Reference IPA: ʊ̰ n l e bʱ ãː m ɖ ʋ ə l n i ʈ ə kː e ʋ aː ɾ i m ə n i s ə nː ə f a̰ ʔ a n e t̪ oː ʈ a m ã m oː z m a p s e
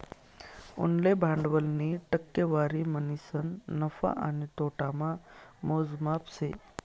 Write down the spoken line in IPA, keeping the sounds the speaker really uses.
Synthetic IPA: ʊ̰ n l e bʱ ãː ɳ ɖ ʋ ə l n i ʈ ə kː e ʋ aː ɾ i m ə n i s ə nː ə f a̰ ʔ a n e t̪ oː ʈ a m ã m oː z m a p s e